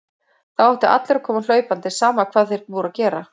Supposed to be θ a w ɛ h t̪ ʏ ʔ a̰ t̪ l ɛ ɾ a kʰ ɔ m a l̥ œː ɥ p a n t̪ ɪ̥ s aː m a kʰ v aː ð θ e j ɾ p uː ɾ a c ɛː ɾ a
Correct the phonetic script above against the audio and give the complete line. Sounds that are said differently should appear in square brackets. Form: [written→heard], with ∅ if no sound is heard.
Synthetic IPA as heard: θ a w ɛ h t̪ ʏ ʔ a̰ t̪ l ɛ ɾ a kʰ [ɔ→ɔː] m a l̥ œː ɥ p a n t̪ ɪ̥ s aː m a kʰ v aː ð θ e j ɾ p uː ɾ a c ɛː ɾ a